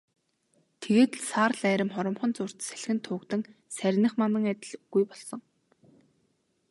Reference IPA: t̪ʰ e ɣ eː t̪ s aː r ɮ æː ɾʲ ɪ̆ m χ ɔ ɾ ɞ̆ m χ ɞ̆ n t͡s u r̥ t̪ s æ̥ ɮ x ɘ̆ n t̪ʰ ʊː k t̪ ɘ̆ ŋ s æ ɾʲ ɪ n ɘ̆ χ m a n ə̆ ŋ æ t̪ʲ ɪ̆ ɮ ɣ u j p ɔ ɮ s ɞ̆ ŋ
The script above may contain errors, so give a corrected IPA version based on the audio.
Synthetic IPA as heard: t̪ʰ e ɣ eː t̪ s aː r ɮ æː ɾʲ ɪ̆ m χ ɔ ɾ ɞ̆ m χ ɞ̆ n t͡s ʊ r̥ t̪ s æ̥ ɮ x ɘ̆ n t̪ʰ ʊː k t̪ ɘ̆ ŋ s æ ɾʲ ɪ n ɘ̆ χ m a n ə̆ ŋ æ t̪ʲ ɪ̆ ɮ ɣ u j p ɔ ɮ s ɞ̆ ŋ